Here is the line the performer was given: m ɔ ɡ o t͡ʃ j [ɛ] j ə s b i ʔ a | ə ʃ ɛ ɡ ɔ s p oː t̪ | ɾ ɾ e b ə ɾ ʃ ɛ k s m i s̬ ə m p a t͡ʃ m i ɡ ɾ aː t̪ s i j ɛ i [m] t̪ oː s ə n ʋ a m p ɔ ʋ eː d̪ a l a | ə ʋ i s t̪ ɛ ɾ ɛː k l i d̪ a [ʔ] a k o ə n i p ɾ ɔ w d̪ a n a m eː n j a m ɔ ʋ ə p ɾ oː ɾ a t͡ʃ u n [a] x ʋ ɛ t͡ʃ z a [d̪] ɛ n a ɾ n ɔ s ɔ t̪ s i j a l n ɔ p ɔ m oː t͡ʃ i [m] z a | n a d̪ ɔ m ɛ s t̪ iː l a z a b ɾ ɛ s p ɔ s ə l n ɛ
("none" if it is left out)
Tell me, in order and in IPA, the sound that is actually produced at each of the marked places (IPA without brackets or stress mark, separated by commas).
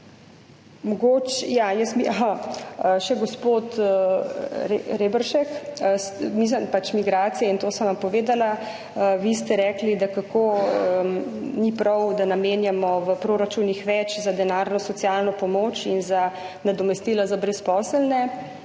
a, n, k, i, d̪, n